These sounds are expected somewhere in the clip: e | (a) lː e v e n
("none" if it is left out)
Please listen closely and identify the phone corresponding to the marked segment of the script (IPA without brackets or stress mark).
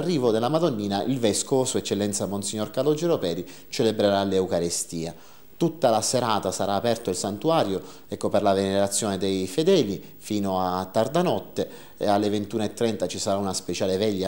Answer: a